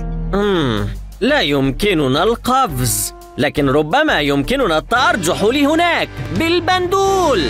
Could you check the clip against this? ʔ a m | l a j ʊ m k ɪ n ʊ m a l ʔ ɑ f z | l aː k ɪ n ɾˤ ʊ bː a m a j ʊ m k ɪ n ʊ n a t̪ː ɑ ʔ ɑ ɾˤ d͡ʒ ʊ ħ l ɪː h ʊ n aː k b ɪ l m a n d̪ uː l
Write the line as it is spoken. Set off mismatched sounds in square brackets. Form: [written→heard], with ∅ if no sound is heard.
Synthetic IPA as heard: ʔ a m | l a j ʊ m k ɪ n ʊ [m→n] a l [ʔ→q] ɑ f z | l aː k ɪ n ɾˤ ʊ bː a m a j ʊ m k ɪ n ʊ n a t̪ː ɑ ʔ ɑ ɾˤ d͡ʒ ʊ ħ l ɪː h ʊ n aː k b ɪ l [m→b] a n d̪ uː l